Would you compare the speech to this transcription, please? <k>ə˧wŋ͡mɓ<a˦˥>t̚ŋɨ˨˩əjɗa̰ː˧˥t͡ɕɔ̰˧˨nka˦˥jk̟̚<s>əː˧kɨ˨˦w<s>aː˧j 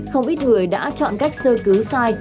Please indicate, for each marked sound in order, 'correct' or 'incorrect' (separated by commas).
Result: incorrect, incorrect, correct, correct